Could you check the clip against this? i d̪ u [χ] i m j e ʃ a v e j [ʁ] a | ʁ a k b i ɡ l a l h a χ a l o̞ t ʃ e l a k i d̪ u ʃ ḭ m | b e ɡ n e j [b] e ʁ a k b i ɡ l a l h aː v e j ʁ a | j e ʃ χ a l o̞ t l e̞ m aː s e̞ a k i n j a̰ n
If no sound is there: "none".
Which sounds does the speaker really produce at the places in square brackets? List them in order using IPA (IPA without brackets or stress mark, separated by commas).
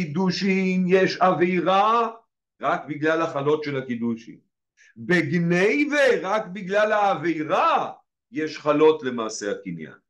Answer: ʃ, ʁ, v